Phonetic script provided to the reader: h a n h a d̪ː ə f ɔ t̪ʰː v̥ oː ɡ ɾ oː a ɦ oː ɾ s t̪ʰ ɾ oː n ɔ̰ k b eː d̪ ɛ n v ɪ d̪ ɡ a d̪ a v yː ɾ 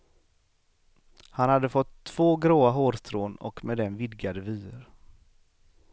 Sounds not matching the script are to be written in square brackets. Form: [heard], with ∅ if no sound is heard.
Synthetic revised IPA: h a n h a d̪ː ə f ɔ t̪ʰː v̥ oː ɡ ɾ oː a ɦ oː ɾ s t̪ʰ ɾ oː n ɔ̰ k [m] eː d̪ ɛ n v ɪ d̪ ɡ a d̪ [ə] v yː ɾ